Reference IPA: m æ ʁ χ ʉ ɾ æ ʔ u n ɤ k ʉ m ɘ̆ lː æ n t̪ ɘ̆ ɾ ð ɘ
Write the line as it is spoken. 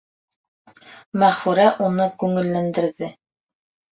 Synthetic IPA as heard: m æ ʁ f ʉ ɾ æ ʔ u n ɤ k ʉ ŋ ɘ̆ lː æ n d̪ ɘ̆ ɾ ð ɘ